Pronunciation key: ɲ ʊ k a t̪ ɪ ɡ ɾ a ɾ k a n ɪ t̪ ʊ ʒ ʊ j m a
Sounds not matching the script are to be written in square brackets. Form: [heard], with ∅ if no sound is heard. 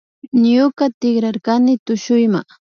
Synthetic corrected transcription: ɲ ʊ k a t̪ ɪ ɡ ɾ a ɾ k a n ɪ t̪ ʊ [ʃ] ʊ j m a